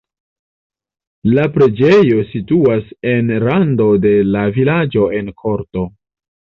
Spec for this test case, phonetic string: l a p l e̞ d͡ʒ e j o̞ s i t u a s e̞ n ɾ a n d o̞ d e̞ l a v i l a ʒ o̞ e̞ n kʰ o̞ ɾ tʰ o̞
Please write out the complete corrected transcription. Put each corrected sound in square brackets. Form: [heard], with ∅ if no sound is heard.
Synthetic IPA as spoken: l a p [ɾ] e̞ d͡ʒ e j o̞ s i t u a s e̞ n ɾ a n d o̞ d e̞ l a v i l a [d͡ʒ] o̞ e̞ n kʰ o̞ ɾ [t] o̞